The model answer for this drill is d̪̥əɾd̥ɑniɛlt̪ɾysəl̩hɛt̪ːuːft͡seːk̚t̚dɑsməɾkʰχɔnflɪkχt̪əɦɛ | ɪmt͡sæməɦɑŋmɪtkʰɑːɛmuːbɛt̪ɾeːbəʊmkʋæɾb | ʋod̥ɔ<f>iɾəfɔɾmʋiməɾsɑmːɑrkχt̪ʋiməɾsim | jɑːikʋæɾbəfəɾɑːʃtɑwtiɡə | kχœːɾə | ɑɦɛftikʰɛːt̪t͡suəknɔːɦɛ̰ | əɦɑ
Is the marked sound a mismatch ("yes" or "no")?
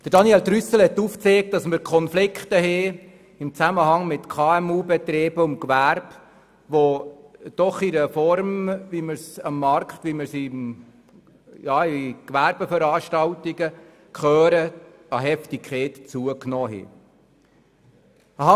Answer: yes